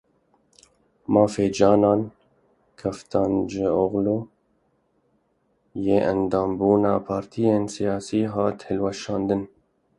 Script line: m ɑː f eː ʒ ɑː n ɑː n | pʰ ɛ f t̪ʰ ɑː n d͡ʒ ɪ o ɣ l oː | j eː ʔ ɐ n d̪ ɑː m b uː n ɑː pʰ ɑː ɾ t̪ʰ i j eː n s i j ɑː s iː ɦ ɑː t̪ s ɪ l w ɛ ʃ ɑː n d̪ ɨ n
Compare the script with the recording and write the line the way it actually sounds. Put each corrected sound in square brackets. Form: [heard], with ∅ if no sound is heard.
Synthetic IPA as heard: m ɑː f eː [d͡ʒ] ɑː n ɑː n | [kʰ] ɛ f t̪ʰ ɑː n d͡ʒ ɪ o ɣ l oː | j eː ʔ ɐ n d̪ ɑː m b uː n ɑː pʰ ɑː ɾ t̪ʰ i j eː n s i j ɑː s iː ɦ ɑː t̪ [h] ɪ l w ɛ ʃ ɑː n d̪ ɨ n